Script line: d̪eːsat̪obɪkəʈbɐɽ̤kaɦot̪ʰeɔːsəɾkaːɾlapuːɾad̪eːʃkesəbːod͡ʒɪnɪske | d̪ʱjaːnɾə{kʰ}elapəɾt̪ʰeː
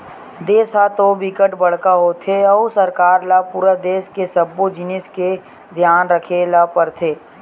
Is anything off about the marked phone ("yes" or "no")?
no